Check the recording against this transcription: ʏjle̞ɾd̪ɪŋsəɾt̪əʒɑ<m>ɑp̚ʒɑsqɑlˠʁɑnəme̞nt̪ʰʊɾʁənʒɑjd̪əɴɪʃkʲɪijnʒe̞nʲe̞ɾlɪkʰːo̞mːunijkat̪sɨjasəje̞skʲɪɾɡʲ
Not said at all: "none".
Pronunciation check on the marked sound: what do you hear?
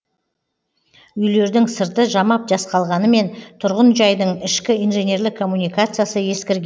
m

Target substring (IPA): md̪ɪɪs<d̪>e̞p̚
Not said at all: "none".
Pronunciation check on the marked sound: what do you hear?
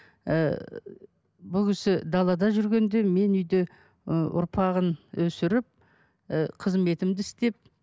t̪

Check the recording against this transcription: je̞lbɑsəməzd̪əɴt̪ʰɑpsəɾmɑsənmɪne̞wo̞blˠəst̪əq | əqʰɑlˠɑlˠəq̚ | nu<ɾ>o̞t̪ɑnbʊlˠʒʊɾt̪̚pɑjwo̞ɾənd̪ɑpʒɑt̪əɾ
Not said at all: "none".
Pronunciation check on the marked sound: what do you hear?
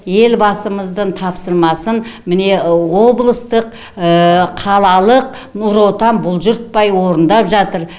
ɾ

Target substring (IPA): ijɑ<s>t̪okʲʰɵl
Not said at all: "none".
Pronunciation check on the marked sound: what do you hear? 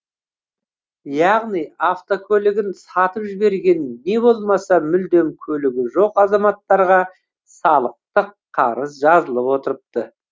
f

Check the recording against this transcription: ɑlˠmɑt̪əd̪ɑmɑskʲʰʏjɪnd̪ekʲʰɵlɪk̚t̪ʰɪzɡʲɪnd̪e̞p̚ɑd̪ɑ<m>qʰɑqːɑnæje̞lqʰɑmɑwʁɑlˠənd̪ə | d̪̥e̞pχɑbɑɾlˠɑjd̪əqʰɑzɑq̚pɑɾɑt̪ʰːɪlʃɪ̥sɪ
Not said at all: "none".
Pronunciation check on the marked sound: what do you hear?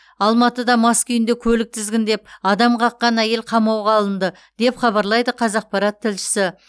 m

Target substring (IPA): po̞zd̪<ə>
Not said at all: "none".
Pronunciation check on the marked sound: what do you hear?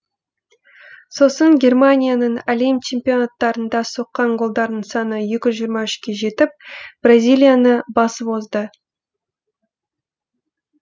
ə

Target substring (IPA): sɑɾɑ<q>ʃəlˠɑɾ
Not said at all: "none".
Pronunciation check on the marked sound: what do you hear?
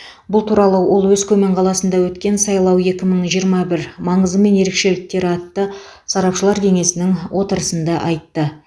p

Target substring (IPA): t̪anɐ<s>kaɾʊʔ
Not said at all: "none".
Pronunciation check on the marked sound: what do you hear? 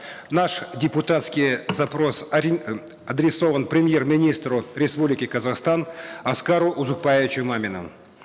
s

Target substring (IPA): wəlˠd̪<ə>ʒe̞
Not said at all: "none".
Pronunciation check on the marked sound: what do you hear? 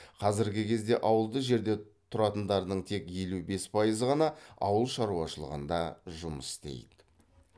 ə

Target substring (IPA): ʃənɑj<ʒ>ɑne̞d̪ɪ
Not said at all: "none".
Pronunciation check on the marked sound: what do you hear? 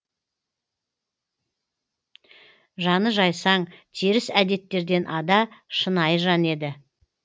ʒ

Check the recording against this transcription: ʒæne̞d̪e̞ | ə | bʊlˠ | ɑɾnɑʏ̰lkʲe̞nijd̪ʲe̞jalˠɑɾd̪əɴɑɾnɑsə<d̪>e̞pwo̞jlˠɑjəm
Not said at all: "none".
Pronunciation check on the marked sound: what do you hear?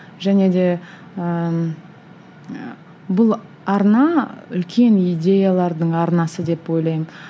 d̪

